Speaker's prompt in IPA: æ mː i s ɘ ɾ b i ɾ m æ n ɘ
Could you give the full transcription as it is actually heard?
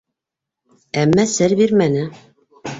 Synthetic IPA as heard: æ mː æ s ɘ ɾ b i ɾ m æ n ɘ